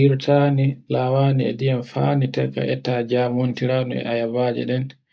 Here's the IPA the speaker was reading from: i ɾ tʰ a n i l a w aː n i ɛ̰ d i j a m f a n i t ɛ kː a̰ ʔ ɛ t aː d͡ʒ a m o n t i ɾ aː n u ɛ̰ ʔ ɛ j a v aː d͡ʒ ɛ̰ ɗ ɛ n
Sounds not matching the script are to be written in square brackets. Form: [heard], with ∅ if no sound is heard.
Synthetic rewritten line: i ɾ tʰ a n i l a w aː n i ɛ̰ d i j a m f a n i t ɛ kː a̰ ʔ ɛ t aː d͡ʒ a m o n t i ɾ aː n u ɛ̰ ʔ [a] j a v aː d͡ʒ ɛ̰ ɗ ɛ n